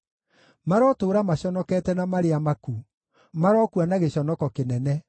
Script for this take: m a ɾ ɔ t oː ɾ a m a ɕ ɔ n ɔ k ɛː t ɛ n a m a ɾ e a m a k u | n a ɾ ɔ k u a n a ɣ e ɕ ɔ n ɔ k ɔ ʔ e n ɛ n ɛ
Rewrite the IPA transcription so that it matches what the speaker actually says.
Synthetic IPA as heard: m a ɾ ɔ t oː ɾ a m a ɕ ɔ n ɔ k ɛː t ɛ n a m a ɾ e a m a k u | m a ɾ ɔ k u a n a ɣ e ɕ ɔ n ɔ k ɔ k e n ɛ n ɛ